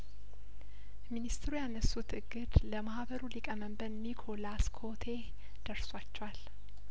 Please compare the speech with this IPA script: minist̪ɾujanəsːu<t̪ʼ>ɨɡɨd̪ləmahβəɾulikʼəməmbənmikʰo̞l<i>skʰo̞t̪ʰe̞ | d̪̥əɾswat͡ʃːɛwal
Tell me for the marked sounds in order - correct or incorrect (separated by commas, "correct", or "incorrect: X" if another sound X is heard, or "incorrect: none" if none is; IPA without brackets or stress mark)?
incorrect: t̪, incorrect: a